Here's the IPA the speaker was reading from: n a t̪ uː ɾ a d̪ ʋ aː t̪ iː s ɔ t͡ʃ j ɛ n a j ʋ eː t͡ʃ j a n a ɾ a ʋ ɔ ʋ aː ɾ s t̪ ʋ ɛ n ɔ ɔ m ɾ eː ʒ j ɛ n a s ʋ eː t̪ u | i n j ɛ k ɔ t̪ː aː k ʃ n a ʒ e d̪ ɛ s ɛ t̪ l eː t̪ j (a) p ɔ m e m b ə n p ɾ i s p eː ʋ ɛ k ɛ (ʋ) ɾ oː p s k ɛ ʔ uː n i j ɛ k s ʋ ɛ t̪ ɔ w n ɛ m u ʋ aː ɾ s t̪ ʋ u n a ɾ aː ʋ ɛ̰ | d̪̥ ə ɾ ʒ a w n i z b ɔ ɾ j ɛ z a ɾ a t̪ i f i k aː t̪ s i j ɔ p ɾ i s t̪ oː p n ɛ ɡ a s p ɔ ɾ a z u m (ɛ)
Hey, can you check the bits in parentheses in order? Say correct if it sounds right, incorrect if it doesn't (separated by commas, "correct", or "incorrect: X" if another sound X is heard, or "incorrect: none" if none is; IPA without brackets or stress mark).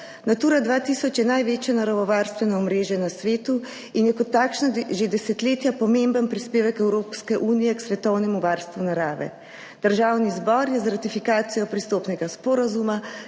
correct, incorrect: w, incorrect: a